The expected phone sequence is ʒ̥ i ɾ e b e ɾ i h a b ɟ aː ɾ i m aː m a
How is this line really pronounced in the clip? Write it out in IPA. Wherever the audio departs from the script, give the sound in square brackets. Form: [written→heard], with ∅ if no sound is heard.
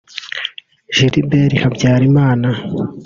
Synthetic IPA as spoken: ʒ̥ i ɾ [e→i] b e ɾ i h a b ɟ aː ɾ i m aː [m→n] a